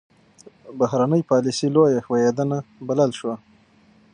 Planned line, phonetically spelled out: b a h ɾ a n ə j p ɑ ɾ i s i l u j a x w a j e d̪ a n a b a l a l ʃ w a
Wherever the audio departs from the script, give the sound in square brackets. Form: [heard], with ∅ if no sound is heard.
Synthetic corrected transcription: b a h ɾ a n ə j p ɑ [l] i s i l [o] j a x w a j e d̪ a n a b a l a l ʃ w a